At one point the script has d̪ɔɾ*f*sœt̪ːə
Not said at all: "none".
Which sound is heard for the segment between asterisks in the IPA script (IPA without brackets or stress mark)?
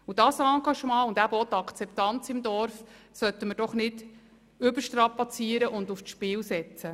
f